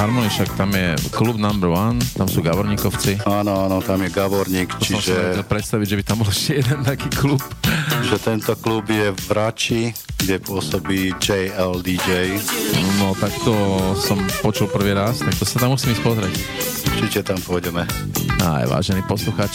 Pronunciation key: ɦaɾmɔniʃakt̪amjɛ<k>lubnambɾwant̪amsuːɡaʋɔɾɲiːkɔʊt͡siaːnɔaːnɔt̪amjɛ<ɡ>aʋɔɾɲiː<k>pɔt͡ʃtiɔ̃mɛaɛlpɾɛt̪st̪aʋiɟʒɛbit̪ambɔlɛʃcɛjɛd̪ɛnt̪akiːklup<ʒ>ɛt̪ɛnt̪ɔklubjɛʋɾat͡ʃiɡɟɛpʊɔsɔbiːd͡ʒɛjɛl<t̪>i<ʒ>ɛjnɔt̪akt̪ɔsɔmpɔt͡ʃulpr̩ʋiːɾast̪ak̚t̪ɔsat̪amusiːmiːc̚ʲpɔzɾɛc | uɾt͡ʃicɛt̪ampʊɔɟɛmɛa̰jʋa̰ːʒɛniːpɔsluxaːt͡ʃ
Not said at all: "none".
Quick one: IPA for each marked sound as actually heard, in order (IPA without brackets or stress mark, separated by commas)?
k, ɡ, k, ʒ, d̪, d͡ʒ